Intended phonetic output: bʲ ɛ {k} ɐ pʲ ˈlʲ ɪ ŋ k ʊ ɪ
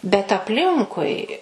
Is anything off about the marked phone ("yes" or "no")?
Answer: yes